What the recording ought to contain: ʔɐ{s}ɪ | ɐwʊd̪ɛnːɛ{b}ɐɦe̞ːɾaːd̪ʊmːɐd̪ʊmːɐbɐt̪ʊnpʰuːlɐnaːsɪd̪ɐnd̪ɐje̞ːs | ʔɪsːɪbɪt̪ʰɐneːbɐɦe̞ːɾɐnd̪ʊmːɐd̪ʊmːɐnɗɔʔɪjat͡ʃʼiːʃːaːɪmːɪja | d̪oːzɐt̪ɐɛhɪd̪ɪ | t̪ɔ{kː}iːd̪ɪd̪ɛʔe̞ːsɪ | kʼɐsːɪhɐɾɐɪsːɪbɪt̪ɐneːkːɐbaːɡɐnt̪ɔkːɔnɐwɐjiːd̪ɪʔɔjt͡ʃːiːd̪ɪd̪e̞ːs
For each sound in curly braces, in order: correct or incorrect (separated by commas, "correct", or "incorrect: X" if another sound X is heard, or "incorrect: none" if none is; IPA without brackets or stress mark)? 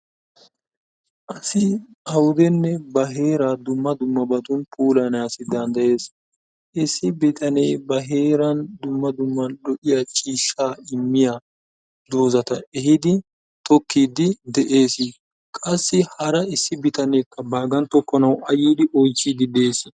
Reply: correct, correct, correct